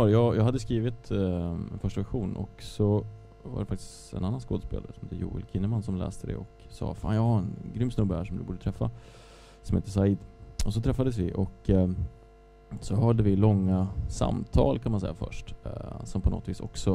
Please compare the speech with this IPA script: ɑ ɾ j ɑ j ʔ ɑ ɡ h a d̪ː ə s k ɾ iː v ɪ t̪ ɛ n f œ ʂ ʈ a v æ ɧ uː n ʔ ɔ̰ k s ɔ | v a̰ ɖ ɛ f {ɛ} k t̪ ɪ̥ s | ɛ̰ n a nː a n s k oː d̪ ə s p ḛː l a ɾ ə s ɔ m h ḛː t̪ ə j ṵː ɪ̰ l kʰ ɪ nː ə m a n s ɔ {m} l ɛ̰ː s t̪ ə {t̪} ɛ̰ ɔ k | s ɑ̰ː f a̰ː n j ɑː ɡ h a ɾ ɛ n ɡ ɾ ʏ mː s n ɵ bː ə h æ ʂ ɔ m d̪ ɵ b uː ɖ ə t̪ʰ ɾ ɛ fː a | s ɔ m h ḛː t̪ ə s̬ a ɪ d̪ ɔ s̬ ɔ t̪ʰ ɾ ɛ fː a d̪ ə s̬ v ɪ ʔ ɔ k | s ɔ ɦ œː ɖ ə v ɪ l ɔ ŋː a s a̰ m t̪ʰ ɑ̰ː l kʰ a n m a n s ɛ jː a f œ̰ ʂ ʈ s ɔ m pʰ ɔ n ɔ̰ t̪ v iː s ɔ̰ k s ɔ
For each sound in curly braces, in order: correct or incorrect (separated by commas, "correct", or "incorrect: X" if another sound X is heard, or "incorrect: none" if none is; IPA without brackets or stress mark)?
incorrect: a, correct, incorrect: d̪